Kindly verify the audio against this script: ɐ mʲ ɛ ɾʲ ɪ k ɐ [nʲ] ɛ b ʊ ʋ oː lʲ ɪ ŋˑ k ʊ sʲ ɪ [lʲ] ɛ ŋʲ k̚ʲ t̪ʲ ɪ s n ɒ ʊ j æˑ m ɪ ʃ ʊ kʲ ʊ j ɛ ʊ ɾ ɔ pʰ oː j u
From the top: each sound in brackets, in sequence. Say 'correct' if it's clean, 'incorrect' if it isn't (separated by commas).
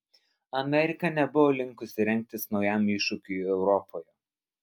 correct, incorrect